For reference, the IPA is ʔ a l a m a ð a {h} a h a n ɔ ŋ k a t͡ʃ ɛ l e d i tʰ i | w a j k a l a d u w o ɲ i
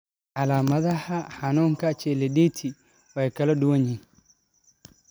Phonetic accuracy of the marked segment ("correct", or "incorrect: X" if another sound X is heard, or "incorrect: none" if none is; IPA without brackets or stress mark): correct